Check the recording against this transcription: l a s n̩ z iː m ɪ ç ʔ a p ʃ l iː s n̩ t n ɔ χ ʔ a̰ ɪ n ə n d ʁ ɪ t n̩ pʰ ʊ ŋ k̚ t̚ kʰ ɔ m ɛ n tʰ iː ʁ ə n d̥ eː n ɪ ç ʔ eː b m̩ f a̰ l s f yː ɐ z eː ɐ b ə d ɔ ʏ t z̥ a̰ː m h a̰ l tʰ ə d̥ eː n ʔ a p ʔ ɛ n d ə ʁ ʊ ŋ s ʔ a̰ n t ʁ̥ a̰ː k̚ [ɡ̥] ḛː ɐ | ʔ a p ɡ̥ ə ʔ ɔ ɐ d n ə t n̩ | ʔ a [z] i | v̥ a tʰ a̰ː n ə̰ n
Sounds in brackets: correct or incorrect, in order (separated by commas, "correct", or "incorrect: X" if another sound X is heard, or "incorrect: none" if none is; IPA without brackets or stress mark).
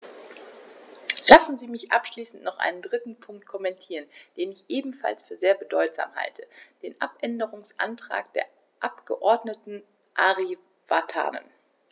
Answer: incorrect: d̥, incorrect: ʁ